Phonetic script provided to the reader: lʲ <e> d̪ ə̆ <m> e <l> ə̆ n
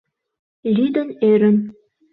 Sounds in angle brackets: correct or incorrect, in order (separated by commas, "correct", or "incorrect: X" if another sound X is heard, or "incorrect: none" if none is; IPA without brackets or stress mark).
incorrect: i, incorrect: n, incorrect: ɾ